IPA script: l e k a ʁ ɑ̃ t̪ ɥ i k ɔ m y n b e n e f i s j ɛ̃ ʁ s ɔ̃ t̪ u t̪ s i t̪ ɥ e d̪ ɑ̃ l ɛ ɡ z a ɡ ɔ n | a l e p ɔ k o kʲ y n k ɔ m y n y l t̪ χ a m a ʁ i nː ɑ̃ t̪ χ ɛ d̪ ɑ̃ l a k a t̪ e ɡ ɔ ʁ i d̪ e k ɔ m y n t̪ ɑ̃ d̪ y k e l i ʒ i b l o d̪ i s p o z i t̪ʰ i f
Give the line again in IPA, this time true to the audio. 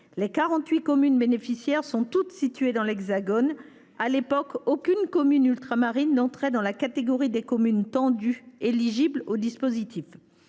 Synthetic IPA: l e k a ʁ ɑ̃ t̪ ɥ i k ɔ m y n b e n e f i s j ɛ ʁ s ɔ̃ t̪ u t̪ s i t̪ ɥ e d̪ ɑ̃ l ɛ ɡ z a ɡ ɔ n | a l e p ɔ k o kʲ y n k ɔ m y n y l t̪ χ a m a ʁ i nː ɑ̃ t̪ χ ɛ d̪ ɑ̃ l a k a t̪ e ɡ ɔ ʁ i d̪ e k ɔ m y n t̪ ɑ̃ d̪ y e l i ʒ i b l o d̪ i s p o z i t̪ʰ i f

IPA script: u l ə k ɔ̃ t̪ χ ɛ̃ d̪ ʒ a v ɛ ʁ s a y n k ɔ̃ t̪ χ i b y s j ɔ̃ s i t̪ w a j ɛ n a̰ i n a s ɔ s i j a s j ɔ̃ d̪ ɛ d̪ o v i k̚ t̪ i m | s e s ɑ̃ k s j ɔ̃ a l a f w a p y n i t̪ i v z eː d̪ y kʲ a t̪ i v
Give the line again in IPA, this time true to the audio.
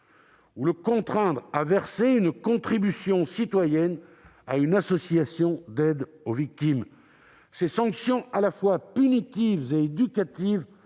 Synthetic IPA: u l ə k ɔ̃ t̪ χ ɛ̃ d̪ ʁ a v ɛ ʁ s e y n k ɔ̃ t̪ χ i b y s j ɔ̃ s i t̪ w a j ɛ n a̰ y n a s ɔ s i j a s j ɔ̃ d̪ ɛ d̪ o v i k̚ t̪ i m | s e s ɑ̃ k s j ɔ̃ a l a f w a p y n i t̪ i v z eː d̪ y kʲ a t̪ i v

